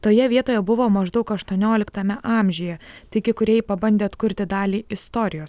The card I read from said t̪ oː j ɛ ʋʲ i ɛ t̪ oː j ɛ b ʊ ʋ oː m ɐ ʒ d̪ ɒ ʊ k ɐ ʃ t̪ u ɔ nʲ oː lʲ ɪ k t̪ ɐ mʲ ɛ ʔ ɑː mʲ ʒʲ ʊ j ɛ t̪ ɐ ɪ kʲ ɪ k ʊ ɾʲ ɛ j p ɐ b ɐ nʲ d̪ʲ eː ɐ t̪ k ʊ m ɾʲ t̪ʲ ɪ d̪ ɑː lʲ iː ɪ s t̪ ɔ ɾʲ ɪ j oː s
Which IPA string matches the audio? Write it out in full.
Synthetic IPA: t̪ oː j ɛ ʋʲ i ɛ t̪ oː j ɛ b ʊ ʋ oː m ɐ ʒ d̪ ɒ ʊ k ɐ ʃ t̪ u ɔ nʲ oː lʲ ɪ k t̪ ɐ mʲ ɛ ʔ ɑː mʲ ʒʲ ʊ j ɛ t̪ ɐ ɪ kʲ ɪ k ʊ ɾʲ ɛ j p ɐ b ɐ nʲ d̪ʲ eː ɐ t̪ k ʊ ɾʲ t̪ʲ ɪ d̪ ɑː lʲ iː ɪ s t̪ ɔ ɾʲ ɪ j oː s